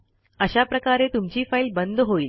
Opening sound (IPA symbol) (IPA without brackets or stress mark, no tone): ə